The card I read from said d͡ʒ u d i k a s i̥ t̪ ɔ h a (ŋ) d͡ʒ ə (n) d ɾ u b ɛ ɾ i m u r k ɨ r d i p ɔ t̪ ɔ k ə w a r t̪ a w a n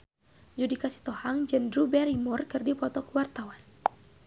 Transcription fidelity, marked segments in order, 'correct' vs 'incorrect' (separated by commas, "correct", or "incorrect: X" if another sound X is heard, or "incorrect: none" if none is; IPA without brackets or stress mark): correct, correct